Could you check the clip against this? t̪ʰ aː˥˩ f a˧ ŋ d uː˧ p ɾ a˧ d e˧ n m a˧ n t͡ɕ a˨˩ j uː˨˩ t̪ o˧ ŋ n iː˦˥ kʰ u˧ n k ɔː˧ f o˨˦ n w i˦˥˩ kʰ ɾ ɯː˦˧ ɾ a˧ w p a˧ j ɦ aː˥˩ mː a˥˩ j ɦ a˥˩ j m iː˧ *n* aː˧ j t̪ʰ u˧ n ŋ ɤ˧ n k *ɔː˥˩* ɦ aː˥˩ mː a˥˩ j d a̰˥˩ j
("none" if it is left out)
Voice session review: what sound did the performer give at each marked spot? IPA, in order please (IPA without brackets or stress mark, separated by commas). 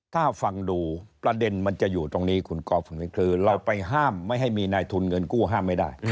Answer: n, uː˥˩